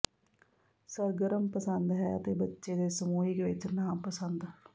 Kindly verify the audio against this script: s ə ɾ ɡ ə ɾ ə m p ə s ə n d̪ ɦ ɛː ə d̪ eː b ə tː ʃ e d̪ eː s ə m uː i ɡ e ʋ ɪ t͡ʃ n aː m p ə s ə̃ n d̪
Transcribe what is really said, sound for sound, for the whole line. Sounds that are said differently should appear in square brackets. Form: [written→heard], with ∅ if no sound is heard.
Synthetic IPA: s ə ɾ ɡ ə ɾ ə m p ə s ə n d̪ ɦ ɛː ə [d̪→t̪] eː b ə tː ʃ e d̪ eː s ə m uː i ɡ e ʋ ɪ t͡ʃ n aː m p ə s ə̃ n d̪